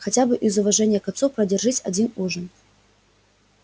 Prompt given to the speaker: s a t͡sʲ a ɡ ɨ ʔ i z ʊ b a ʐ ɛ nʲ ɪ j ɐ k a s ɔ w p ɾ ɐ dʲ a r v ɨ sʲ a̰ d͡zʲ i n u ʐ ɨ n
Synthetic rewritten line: x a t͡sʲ a b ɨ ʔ i z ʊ v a ʐ ɛ nʲ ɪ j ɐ k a s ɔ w p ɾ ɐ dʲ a r ʐ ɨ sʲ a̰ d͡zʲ i n u ʐ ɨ n